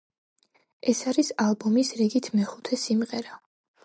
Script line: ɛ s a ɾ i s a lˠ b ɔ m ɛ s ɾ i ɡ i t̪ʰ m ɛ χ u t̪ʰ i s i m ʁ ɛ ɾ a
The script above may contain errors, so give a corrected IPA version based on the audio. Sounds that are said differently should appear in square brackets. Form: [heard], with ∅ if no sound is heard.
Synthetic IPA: ɛ s a ɾ i s a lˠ b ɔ m [i] s ɾ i ɡ i t̪ʰ m ɛ χ u t̪ʰ [ɛ] s i m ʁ ɛ ɾ a